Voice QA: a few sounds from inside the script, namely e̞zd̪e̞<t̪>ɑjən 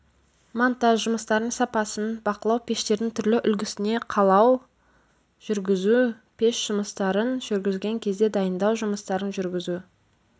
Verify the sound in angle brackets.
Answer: incorrect: d̪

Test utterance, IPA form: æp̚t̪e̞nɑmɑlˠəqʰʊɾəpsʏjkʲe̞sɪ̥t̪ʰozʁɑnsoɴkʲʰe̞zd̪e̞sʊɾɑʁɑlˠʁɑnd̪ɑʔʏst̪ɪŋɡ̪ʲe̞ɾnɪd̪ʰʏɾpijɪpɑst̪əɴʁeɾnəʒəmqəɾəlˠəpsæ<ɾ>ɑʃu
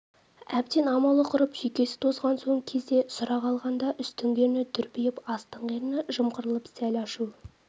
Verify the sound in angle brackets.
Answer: incorrect: l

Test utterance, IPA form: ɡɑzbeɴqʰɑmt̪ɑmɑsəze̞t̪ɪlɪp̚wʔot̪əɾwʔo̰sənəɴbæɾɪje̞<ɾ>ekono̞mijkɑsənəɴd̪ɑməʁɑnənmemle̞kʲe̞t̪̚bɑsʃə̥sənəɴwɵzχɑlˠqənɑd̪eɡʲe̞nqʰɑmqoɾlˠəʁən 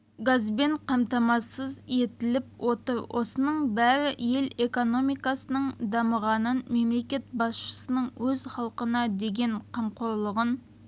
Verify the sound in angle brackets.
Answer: incorrect: l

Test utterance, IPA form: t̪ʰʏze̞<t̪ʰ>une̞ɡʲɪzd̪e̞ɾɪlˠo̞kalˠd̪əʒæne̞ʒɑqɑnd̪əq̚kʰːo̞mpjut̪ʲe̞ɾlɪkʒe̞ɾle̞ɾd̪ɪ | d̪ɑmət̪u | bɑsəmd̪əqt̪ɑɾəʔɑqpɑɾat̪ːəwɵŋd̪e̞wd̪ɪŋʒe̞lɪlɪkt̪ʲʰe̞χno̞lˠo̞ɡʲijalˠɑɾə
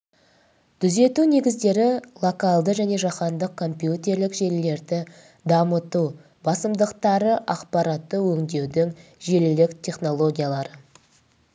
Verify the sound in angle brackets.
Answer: incorrect: t̪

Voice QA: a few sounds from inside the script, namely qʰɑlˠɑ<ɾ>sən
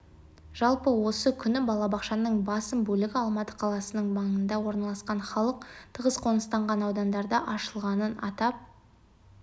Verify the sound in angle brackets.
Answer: incorrect: none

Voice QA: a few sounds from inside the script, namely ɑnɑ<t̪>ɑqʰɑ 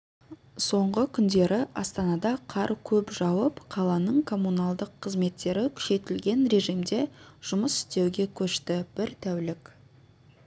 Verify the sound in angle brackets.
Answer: incorrect: d̪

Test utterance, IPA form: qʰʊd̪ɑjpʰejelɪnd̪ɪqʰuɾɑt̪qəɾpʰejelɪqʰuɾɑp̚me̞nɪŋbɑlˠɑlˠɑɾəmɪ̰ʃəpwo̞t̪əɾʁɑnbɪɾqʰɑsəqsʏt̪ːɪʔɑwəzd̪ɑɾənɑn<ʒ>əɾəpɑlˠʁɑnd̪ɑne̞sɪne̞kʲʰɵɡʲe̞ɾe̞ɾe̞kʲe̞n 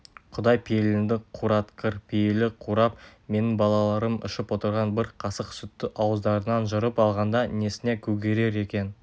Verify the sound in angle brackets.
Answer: correct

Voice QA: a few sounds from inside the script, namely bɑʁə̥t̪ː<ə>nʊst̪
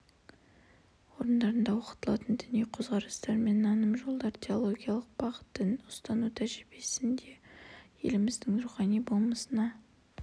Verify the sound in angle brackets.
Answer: correct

